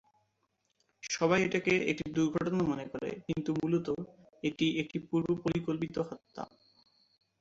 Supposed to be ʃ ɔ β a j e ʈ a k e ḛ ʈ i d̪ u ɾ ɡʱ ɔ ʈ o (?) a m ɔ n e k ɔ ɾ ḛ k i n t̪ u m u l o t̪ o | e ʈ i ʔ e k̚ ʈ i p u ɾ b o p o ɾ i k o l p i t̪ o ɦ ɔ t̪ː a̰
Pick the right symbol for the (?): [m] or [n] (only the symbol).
n